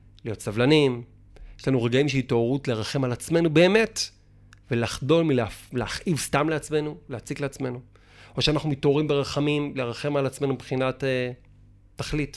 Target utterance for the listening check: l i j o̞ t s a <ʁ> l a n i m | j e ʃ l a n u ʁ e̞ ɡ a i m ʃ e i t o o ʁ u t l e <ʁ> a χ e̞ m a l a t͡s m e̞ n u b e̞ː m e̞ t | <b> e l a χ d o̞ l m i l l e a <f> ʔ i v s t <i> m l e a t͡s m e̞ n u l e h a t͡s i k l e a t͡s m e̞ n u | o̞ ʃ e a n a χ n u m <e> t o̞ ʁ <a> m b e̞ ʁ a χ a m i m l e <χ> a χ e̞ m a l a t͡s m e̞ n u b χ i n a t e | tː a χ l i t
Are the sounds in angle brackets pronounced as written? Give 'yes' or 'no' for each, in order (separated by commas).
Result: no, yes, no, no, no, no, no, no